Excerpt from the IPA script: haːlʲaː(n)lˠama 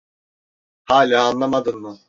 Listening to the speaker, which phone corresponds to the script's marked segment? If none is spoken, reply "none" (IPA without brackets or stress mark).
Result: n